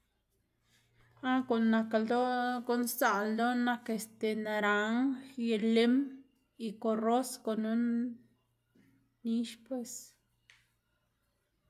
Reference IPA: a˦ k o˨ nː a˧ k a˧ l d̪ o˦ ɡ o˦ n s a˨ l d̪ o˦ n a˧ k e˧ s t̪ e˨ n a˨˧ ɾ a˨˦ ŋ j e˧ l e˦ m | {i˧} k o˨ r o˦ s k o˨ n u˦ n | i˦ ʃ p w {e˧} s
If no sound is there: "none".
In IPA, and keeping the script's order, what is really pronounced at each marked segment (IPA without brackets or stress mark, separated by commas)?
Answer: i˧, e˧